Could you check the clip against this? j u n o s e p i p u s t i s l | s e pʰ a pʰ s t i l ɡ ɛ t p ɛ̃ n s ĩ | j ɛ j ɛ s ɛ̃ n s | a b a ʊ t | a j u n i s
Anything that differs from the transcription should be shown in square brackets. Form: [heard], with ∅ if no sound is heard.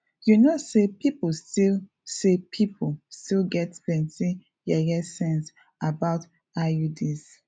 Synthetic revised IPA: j u n o s e p i p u s t i [∅] l | s e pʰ [i] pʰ s t i l ɡ ɛ t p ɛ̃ n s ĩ | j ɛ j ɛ s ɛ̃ n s | a b a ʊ t | a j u [d] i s

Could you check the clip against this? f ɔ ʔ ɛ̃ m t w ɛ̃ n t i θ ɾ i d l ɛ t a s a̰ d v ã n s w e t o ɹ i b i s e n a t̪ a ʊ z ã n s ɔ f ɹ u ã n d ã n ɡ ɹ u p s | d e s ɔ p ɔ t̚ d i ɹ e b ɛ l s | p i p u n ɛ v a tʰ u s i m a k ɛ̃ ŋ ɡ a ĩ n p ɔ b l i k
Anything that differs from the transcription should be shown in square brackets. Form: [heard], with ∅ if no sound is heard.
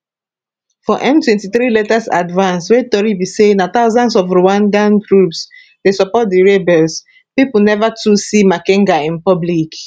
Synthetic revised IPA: f ɔ ʔ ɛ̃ m t w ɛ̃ n t i θ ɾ i [∅] l ɛ t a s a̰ d v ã n s w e t [ɔ] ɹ i b i s e n a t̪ a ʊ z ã n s ɔ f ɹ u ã n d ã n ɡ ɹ u p s | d e s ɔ p ɔ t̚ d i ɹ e b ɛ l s | p i p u n ɛ v a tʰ u s i m a k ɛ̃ ŋ ɡ a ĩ n p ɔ b l i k

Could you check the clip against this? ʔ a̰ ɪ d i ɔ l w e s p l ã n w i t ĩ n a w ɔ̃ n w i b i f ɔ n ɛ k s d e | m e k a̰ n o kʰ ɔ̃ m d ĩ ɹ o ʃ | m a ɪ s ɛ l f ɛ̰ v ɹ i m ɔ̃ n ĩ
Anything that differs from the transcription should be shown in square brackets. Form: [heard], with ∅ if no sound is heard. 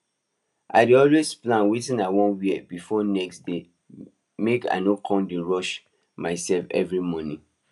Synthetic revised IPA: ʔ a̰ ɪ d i ɔ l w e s p l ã n w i t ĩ n a w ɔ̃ n w i b i f ɔ n ɛ k s d e | m e k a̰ n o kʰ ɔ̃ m d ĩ ɹ [ɔ] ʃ | m a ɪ s ɛ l f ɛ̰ v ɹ i m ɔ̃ n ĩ

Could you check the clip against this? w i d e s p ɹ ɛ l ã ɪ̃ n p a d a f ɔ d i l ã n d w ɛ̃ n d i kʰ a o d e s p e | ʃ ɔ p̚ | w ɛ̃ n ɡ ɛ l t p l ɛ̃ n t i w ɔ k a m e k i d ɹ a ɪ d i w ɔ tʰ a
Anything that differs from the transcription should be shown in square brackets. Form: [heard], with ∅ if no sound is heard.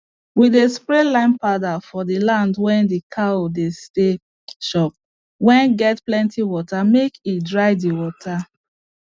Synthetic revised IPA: w i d e s p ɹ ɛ l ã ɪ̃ n p a d a f ɔ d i l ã n d w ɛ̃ n d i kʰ a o d e s [t] e | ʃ ɔ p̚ | w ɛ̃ n ɡ ɛ [∅] t p l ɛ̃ n t i w ɔ [t] a m e k i d ɹ a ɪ d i w ɔ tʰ a

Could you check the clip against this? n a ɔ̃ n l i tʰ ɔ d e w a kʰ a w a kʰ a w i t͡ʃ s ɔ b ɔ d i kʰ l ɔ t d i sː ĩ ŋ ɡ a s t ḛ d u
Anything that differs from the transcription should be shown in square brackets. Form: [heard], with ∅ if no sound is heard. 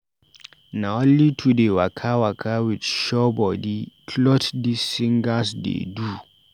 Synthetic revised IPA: n a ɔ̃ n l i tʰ [u] d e w a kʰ a w a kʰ a w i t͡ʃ [ʃ] ɔ b ɔ d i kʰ l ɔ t d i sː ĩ ŋ ɡ a s [d] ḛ d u

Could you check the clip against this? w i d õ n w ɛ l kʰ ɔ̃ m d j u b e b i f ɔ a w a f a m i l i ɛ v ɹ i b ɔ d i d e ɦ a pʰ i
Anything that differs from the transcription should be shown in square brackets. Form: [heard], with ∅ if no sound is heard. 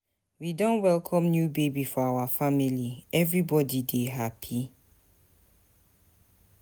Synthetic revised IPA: w i d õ n w ɛ l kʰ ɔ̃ m [n] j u b e b i f ɔ a w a f a m i l i ɛ v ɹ i b ɔ d i d e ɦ a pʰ i

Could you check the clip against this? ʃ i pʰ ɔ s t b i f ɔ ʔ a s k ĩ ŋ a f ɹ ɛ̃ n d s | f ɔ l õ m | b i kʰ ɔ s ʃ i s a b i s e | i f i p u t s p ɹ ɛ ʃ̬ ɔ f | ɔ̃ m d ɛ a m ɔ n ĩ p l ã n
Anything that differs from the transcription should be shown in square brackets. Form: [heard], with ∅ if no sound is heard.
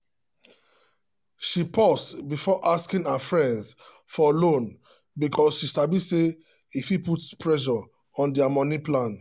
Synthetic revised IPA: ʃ i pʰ ɔ s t b i f ɔ ʔ a s k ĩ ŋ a f ɹ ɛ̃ n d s | f ɔ l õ [n] | b i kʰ ɔ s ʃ i s a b i s e | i f i p u t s p ɹ ɛ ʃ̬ ɔ [∅] | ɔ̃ [n] d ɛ a m ɔ n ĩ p l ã n

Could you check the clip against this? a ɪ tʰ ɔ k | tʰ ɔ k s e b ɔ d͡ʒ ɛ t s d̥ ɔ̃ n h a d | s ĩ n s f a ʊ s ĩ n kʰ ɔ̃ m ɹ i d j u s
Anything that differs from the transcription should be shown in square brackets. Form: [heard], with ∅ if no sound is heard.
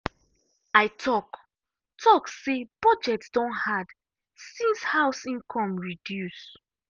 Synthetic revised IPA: a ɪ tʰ ɔ k | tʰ ɔ k s e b ɔ d͡ʒ ɛ t s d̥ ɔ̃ n h a d | s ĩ n s [h] a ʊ s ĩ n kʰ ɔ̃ m ɹ i d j u s

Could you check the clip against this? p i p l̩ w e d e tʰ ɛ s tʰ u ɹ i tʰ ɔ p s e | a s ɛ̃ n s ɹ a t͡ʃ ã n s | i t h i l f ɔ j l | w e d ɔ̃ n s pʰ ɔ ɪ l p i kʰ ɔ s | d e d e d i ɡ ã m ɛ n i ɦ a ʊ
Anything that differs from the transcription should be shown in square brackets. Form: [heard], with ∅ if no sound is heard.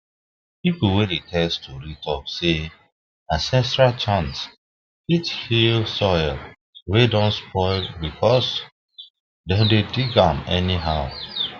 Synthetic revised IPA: p i p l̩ w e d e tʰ ɛ s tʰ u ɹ i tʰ ɔ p s e | a s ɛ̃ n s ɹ a t͡ʃ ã n s | i t h i l [s] ɔ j l | w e d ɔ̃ n s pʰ ɔ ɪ l [b] i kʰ ɔ s | d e d e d i ɡ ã m ɛ n i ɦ a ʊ

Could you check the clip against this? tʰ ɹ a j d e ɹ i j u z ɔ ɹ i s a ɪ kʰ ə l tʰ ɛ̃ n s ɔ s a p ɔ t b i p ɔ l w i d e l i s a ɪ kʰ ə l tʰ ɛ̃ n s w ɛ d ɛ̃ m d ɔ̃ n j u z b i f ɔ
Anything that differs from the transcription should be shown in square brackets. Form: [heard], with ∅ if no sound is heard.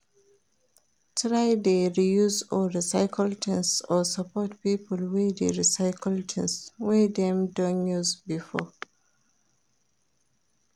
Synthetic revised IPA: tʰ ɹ a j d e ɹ i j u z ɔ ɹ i s a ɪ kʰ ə l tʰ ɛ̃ n s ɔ s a p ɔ t [p] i p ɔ l w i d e [ɹ] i s a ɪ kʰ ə l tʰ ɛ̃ n s w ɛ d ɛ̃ m d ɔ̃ n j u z b i f ɔ

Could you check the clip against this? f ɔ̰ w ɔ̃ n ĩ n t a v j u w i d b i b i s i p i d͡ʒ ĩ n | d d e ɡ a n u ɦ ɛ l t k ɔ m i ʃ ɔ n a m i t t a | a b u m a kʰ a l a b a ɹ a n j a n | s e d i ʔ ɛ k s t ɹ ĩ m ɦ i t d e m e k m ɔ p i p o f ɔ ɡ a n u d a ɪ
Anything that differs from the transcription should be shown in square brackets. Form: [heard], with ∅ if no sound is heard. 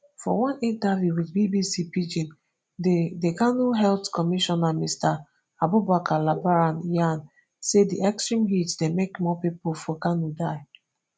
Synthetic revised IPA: f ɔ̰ w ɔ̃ n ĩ n t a v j u w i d b i b i s i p i d͡ʒ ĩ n | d d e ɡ a n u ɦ ɛ l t k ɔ m i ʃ ɔ n a m i [s] t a | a b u [b] a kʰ a l a b a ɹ a n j a n | s e d i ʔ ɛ k s t ɹ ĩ m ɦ i t d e m e k m ɔ p i p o f ɔ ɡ a n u d a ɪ

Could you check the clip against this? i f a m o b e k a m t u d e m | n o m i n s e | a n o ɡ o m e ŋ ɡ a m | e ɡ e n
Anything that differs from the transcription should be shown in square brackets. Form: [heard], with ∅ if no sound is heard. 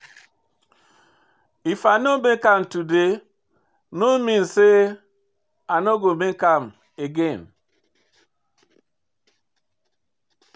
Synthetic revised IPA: i f a [n] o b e k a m t u d e [∅] | n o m i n s e | a n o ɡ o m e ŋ [k] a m | e ɡ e n

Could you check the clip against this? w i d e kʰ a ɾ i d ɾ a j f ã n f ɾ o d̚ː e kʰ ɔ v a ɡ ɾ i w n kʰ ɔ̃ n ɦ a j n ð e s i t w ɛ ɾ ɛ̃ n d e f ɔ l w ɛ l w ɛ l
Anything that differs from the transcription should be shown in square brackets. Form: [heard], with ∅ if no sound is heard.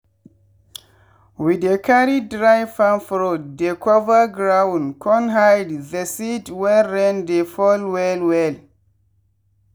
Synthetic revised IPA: w i d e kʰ a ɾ i d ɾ a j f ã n f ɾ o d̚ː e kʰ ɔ v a ɡ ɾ [a] w n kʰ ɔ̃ n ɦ a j [d] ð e s i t w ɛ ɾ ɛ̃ n d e f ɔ l w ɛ l w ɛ l

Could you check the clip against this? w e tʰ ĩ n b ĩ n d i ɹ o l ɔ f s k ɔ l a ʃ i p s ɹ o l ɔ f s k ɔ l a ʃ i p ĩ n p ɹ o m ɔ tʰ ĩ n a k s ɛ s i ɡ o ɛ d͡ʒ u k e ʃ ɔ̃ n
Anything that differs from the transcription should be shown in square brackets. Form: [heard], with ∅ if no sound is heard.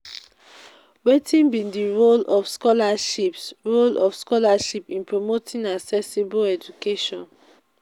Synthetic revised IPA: w e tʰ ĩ n b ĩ n d i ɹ o l ɔ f s k ɔ l a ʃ i p s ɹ o l ɔ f s k ɔ l a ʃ i p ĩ n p ɹ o m [o] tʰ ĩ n a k s ɛ s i [b] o ɛ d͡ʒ u k e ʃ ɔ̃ n

